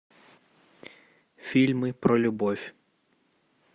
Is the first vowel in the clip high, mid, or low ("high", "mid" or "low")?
high